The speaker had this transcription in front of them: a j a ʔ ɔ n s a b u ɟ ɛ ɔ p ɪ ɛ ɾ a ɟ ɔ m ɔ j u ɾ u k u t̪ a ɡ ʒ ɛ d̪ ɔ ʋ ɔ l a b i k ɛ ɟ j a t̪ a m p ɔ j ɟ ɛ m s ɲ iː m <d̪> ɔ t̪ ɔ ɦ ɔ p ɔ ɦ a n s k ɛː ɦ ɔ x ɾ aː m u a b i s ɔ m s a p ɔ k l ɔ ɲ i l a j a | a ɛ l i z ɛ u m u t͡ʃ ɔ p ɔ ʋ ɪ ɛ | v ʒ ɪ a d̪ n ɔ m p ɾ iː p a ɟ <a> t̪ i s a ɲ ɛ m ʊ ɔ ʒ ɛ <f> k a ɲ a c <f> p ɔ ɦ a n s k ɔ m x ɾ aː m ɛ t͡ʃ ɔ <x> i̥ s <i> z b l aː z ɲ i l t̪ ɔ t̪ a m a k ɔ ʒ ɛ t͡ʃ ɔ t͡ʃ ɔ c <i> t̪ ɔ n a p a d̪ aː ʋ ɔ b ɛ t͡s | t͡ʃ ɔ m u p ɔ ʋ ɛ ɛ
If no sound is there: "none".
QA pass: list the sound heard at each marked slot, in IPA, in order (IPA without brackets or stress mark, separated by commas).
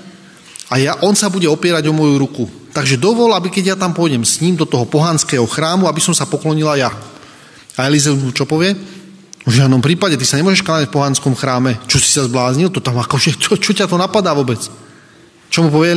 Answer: d̪, ɛ, ʃ, f, s, a, a